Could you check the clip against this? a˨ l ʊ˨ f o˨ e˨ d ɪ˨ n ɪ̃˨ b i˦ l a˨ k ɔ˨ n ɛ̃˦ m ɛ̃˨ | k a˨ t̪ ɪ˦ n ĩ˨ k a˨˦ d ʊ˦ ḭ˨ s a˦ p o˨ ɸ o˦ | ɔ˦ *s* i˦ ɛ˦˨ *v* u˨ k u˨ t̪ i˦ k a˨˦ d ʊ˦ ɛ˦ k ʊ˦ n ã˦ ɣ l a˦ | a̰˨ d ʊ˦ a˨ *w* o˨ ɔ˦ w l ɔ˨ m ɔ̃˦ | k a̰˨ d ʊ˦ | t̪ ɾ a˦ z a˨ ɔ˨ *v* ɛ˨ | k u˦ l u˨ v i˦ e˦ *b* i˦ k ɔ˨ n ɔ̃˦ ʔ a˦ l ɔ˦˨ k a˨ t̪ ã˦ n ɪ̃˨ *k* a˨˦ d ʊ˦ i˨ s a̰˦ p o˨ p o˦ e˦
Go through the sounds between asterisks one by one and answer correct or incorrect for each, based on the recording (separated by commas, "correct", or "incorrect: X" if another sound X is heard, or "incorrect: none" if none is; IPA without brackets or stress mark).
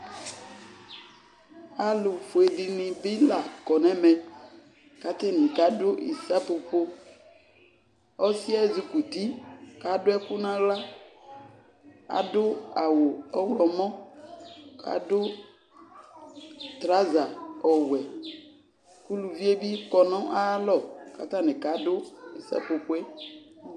correct, incorrect: z, correct, incorrect: w, correct, correct